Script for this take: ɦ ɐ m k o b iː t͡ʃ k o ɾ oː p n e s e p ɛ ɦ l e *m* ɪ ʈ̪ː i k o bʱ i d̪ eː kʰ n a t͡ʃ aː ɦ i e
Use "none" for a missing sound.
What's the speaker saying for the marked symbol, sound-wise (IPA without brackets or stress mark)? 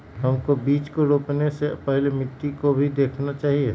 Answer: m